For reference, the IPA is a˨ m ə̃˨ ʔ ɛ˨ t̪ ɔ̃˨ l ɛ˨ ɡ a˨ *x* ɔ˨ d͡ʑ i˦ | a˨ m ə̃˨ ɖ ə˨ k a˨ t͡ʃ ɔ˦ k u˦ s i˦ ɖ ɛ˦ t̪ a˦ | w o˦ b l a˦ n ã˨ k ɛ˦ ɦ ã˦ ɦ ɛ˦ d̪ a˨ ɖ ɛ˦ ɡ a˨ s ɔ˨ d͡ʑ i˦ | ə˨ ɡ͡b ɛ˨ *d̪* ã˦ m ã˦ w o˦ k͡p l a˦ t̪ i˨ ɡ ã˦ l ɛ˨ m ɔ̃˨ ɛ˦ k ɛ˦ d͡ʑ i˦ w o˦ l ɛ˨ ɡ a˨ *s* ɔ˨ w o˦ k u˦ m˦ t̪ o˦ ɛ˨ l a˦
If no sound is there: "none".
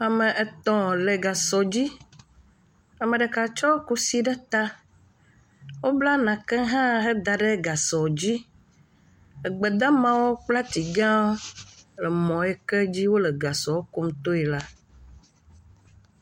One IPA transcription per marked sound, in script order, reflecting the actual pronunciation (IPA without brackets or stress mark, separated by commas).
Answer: s, d̪, s